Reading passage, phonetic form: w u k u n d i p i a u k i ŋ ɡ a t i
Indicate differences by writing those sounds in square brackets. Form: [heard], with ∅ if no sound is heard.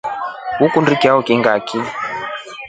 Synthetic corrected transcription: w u k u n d i [k] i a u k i ŋ ɡ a [k] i